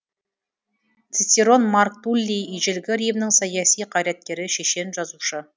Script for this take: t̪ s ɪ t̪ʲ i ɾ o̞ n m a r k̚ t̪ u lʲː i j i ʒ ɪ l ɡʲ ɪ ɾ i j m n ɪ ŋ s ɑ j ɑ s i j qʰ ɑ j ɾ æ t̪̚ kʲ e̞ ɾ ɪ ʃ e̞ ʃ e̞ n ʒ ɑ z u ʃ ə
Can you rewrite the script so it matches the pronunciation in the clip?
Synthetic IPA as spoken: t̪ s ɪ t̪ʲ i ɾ o̞ n m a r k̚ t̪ u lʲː i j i ʒ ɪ l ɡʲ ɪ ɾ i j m n ɪ ŋ s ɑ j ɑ s i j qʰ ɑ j ɾ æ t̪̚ kʲ e̞ ɾ ɪ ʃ e̞ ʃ e̞ n ʒ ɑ z u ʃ ə